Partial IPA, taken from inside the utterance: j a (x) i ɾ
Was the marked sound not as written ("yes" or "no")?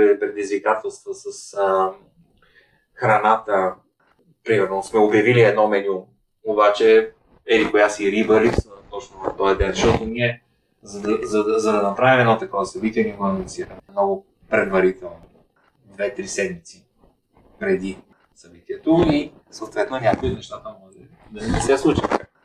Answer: yes